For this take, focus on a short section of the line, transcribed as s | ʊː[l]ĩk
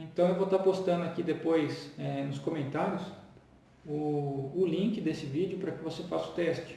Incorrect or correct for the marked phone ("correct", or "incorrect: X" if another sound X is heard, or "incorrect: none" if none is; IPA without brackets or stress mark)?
correct